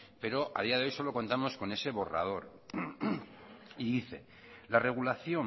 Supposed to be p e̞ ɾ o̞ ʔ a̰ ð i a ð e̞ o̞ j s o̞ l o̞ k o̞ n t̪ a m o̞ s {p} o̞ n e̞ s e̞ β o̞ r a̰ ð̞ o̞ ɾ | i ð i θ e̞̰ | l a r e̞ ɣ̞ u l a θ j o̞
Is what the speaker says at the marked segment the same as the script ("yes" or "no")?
no